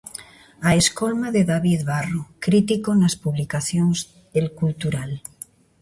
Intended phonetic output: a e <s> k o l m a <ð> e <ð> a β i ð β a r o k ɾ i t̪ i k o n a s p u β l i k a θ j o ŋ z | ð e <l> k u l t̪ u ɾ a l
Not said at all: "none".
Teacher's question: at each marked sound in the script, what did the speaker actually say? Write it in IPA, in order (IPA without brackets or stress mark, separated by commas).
s, ð, ð, l